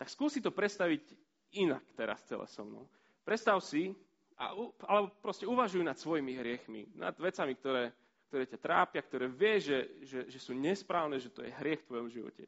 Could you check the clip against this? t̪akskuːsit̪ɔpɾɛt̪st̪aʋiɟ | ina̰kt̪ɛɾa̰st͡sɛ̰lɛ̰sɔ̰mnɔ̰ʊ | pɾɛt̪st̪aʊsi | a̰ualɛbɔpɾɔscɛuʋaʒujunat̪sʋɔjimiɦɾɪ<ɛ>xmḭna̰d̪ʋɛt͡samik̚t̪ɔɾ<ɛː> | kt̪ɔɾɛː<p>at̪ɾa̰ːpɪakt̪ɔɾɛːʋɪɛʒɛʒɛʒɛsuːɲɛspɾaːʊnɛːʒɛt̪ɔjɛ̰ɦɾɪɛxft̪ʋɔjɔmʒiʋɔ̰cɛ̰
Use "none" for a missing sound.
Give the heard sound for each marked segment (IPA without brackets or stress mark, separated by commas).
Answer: ɛ, ɛː, c